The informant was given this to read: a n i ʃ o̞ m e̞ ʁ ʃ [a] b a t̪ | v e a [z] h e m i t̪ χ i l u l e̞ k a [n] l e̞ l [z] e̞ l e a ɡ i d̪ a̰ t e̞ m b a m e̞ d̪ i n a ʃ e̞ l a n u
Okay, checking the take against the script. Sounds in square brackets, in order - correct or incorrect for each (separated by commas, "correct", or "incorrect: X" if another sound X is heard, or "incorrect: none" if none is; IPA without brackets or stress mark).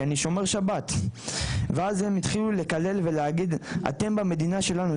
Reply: correct, correct, incorrect: none, incorrect: v